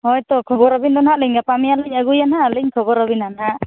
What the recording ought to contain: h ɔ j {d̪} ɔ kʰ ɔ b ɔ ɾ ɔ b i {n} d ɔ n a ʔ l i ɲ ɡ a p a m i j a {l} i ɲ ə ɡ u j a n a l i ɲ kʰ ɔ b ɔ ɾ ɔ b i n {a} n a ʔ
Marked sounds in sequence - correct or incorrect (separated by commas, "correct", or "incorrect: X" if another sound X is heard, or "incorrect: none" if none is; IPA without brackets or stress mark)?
incorrect: t̪, correct, correct, correct